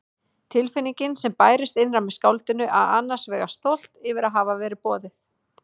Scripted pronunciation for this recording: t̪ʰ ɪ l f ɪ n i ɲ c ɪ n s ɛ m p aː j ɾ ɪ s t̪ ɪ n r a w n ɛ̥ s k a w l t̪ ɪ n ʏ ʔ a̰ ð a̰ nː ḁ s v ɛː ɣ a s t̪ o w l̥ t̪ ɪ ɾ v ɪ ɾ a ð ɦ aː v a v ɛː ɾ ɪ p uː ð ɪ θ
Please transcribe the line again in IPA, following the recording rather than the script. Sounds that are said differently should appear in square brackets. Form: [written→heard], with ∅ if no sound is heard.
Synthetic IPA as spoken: t̪ʰ ɪ l f ɪ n i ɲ c ɪ n s ɛ m p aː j ɾ ɪ s t̪ ɪ n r a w [n→m] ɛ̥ s k a w l t̪ ɪ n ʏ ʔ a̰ ð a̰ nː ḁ s v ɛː ɣ a s t̪ o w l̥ t̪ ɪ [ɾ→∅] v ɪ ɾ a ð ɦ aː v a v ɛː ɾ ɪ p [uː→ɔː] ð ɪ θ